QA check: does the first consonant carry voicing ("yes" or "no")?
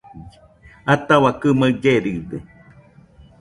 no